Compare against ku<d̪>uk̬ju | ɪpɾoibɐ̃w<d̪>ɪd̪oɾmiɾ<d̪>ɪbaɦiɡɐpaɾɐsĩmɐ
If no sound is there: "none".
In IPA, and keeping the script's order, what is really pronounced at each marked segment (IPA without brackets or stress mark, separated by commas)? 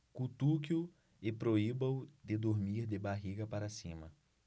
t̪, d̪, d̪